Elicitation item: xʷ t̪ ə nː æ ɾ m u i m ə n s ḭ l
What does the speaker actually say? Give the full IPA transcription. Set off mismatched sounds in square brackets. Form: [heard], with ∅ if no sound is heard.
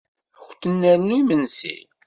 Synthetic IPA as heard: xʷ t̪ ə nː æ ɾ [n] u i m ə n s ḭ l